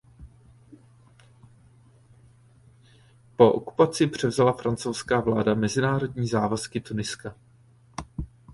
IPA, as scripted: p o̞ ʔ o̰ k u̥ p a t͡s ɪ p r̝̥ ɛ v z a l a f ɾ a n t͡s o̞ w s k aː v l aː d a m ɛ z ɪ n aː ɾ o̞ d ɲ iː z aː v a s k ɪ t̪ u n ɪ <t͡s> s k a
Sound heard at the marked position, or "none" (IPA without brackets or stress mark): none